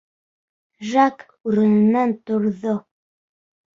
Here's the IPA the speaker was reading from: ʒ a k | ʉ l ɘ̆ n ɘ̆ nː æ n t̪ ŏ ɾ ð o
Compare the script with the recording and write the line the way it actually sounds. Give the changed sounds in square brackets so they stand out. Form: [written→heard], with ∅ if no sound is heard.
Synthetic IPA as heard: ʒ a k | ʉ [l→ɾ] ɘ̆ n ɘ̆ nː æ n t̪ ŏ ɾ ð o